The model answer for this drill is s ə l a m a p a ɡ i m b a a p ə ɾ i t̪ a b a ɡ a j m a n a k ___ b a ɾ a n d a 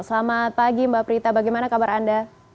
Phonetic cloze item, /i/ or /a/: a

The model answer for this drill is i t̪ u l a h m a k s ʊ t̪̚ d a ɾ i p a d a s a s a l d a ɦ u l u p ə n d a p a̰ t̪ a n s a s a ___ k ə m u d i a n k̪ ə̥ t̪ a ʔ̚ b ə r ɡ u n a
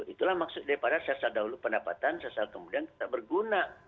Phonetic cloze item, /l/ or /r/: l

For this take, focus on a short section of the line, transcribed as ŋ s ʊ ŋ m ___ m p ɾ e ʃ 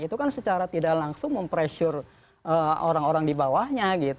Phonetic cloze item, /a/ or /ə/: ə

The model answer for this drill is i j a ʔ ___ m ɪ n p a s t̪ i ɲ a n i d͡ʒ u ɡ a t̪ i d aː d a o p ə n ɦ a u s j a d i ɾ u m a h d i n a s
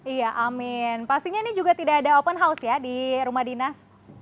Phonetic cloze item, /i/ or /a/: a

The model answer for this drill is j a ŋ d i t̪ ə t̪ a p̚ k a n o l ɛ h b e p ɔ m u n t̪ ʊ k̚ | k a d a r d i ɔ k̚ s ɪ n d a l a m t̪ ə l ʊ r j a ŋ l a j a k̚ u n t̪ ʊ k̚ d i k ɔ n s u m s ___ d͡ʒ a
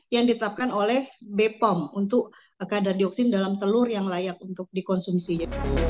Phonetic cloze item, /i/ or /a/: i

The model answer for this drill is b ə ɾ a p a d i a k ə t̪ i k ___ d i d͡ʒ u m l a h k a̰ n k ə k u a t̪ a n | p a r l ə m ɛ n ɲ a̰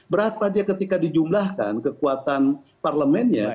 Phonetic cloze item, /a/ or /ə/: a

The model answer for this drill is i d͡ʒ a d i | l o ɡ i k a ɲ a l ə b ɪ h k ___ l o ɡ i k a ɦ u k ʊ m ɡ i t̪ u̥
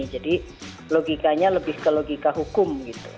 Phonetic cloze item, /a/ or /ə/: ə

